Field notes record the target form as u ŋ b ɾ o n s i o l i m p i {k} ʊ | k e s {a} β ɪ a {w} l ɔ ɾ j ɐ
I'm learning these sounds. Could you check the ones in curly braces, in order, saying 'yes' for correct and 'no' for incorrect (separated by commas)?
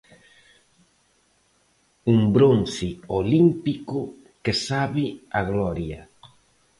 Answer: yes, yes, no